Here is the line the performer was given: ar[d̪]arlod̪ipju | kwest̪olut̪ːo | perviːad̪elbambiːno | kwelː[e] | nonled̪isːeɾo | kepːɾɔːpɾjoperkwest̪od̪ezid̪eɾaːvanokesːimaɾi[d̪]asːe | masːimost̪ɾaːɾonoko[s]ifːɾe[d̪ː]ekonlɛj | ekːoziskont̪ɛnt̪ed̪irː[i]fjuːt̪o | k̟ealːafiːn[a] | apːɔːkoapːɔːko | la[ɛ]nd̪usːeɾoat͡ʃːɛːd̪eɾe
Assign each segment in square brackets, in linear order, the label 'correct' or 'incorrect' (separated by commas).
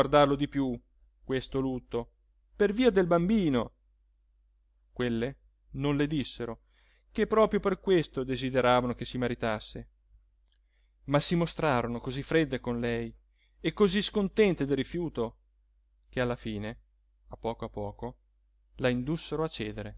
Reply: correct, correct, incorrect, incorrect, correct, correct, incorrect, incorrect